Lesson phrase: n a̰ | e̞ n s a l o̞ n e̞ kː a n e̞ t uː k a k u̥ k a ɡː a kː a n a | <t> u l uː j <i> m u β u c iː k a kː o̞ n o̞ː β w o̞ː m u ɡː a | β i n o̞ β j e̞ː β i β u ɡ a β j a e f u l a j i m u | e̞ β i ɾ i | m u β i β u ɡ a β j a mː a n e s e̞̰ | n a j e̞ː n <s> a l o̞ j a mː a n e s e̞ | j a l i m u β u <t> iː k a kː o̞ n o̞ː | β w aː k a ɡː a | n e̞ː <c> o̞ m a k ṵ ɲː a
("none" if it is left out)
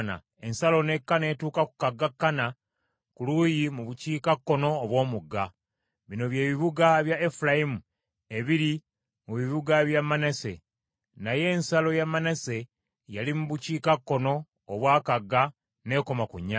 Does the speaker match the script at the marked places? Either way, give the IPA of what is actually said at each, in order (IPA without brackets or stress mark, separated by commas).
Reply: k, i, s, c, k